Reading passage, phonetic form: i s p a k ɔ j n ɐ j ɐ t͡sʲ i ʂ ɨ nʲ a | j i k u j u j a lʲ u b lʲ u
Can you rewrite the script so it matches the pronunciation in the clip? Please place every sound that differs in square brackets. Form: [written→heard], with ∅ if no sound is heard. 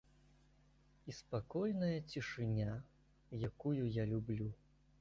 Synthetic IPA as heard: i s p a k ɔ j n ɐ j ɐ t͡sʲ i ʂ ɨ nʲ a | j [i→a] k u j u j a lʲ u b lʲ u